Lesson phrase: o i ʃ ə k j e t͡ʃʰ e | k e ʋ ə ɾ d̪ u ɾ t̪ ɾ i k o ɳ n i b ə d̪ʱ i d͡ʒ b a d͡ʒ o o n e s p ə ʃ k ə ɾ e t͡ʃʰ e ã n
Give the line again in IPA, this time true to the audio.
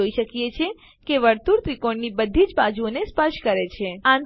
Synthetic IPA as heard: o i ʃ ə k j e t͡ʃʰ e | k e ʋ ə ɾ t̪ u ɾ t̪ ɾ i k o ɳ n i b ə d̪ʱ i d͡ʒ b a d͡ʒ u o n e s p ə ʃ k ə ɾ e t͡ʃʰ e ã n